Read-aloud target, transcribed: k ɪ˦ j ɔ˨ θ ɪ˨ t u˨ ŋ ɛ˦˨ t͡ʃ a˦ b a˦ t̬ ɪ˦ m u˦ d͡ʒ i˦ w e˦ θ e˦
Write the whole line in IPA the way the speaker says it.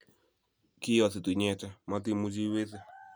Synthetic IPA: k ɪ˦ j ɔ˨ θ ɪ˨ t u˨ ɲ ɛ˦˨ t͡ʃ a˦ m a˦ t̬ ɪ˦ m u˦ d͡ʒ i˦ w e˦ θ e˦